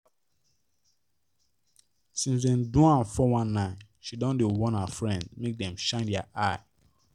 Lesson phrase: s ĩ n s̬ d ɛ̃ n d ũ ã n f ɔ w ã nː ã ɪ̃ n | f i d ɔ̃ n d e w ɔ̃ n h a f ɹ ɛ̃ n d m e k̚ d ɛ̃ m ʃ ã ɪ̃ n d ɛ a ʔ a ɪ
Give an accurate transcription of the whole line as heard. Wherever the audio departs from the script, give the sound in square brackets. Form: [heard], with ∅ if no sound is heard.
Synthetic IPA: s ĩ n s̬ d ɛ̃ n d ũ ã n f ɔ w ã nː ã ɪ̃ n | [ʃ] i d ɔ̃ n d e w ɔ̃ n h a f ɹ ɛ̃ n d m e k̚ d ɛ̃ m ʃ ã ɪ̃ n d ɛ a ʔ a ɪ